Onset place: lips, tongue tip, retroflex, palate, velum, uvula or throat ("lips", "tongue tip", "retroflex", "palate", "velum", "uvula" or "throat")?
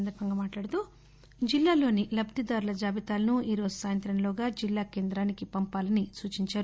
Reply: tongue tip